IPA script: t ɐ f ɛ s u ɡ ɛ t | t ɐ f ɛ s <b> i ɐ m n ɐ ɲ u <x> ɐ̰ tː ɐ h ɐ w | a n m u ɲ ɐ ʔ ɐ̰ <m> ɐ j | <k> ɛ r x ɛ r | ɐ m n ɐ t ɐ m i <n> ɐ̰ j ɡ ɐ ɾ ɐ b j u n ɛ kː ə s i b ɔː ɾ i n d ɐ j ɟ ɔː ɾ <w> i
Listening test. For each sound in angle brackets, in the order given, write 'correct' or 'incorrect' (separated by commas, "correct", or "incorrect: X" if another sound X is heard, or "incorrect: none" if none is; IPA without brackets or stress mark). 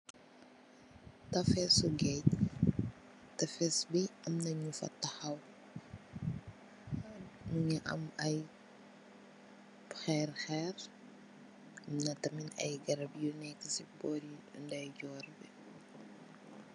correct, incorrect: f, correct, incorrect: x, correct, incorrect: b